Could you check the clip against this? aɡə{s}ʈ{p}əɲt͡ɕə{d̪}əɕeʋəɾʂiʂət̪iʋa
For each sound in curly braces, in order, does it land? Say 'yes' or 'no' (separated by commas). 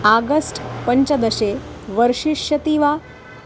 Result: yes, yes, yes